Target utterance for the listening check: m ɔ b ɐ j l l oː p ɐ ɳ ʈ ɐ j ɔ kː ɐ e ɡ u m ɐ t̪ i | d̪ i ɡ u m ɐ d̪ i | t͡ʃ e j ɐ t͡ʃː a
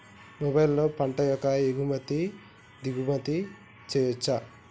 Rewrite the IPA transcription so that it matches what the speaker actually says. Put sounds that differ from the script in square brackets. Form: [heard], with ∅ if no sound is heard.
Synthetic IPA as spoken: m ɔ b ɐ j l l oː p ɐ ɳ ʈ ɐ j ɔ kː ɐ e ɡ u m ɐ t̪ i | d̪ i ɡ u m ɐ [t̪] i | t͡ʃ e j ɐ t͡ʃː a